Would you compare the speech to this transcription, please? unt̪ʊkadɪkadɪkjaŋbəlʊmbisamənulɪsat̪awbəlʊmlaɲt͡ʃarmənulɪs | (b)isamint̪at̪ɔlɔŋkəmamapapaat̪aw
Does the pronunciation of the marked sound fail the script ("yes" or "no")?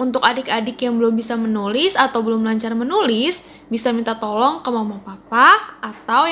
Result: no